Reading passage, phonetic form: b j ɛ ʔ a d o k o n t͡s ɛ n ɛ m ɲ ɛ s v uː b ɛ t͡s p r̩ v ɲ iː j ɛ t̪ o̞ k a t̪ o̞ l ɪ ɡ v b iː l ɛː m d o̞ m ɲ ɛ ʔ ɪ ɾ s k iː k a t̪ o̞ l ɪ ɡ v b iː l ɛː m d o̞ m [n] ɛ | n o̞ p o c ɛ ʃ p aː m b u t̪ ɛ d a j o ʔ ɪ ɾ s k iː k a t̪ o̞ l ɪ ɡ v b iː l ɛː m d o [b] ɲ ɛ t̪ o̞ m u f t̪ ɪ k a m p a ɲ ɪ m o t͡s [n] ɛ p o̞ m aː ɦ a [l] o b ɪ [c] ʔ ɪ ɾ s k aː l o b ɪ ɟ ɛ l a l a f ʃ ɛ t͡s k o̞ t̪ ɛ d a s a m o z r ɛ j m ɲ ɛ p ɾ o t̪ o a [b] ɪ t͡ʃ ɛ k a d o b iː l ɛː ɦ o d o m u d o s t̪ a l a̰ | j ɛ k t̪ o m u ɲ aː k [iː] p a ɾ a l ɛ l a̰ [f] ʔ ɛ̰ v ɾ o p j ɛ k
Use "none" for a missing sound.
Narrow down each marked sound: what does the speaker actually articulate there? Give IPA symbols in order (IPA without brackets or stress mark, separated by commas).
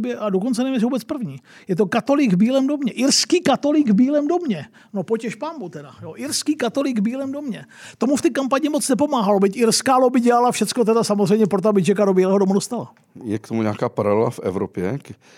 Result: ɲ, m, n, l, c, b, aː, f